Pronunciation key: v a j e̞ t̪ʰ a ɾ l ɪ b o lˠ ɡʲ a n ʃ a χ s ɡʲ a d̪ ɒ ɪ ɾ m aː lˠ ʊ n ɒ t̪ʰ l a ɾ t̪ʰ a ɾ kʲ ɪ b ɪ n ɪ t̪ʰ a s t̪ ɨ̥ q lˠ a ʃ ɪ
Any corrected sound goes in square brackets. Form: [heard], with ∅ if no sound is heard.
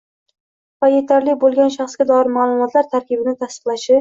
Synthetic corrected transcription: v a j e̞ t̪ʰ a ɾ l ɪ b o lˠ ɡʲ a n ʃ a χ s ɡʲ a d̪ ɒ ɪ ɾ m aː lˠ ʊ [m] ɒ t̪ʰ l a ɾ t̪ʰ a ɾ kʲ ɪ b ɪ n ɪ t̪ʰ a s t̪ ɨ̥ q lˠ a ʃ ɪ